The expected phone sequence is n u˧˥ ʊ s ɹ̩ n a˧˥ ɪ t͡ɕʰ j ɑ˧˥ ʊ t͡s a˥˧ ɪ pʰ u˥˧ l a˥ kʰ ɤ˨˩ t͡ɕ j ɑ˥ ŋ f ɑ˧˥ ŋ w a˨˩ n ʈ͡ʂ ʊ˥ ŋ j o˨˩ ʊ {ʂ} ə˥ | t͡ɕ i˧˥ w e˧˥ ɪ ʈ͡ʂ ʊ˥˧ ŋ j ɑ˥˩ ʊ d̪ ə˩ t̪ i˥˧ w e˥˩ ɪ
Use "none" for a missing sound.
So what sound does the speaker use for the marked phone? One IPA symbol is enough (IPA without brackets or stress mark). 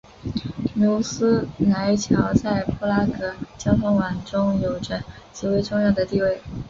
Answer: ʈ͡ʂ